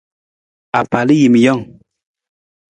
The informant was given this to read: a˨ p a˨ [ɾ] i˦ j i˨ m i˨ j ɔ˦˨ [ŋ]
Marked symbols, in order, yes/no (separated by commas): no, yes